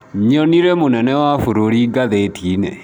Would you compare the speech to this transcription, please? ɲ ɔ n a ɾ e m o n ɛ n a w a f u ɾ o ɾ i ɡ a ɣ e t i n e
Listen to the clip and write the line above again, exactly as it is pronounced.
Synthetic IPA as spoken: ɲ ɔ n i ɾ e m o n ɛ n ɛ w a f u ɾ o ɾ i ɡ a ð e t i n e